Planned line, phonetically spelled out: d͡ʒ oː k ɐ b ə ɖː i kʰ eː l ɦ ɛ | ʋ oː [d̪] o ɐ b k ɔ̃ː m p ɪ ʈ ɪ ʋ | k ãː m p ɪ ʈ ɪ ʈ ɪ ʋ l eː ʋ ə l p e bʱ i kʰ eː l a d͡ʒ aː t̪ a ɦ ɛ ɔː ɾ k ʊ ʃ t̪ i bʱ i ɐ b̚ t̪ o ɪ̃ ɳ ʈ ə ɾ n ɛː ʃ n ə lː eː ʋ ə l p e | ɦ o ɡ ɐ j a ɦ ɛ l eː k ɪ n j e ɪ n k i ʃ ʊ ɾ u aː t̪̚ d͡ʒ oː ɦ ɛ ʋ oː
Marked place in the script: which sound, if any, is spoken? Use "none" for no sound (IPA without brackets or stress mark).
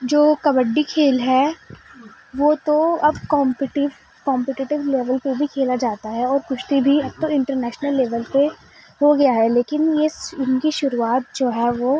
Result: t̪